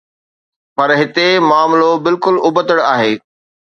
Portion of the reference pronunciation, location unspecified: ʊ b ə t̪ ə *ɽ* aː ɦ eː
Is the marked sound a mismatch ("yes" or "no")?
no